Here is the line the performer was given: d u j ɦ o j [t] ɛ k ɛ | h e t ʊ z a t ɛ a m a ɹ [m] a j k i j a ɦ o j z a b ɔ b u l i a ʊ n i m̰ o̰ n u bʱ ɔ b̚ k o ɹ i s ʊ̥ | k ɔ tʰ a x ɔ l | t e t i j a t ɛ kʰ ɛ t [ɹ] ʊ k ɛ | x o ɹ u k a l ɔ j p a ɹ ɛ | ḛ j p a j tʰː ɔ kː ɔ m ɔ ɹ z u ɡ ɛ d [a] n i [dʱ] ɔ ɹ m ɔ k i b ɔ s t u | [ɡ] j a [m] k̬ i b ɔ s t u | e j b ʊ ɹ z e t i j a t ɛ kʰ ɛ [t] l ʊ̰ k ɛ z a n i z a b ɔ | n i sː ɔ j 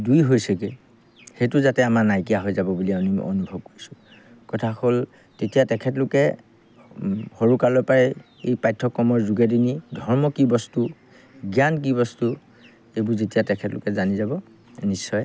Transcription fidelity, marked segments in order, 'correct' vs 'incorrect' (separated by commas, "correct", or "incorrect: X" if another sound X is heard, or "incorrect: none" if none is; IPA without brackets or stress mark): incorrect: s, incorrect: n, incorrect: l, incorrect: i, correct, correct, incorrect: n, correct